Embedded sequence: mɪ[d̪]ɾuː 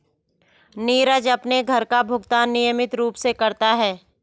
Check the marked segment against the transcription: incorrect: t̪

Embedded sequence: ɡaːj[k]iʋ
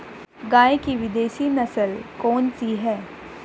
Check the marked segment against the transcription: correct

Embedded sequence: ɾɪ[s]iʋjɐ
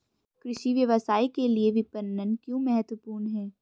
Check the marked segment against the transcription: incorrect: ʃ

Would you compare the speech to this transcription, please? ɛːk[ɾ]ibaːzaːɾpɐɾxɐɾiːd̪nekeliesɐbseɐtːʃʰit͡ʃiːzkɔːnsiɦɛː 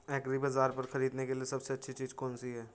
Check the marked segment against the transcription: correct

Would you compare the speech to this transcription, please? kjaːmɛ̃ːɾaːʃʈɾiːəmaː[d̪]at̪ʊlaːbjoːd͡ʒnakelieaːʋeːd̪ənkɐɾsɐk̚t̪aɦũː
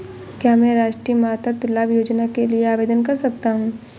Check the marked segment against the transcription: incorrect: t̪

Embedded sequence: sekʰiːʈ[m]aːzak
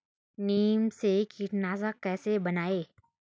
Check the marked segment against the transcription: incorrect: n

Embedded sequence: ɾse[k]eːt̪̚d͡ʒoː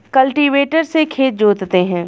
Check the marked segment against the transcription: incorrect: kʰ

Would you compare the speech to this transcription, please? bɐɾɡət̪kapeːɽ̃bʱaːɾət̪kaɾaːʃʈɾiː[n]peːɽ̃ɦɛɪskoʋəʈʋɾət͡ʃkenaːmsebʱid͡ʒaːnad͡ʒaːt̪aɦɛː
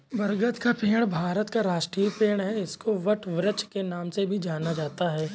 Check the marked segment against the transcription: incorrect: none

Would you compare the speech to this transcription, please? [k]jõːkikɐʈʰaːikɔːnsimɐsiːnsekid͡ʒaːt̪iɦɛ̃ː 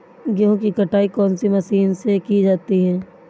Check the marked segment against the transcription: incorrect: ɡ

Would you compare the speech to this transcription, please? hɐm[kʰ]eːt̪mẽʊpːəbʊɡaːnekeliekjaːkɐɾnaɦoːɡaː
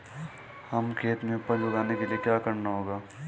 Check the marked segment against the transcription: correct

